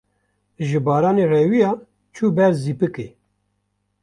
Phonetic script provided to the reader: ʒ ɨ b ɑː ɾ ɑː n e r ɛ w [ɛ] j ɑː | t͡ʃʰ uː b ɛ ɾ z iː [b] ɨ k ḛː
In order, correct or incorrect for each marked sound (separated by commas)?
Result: incorrect, incorrect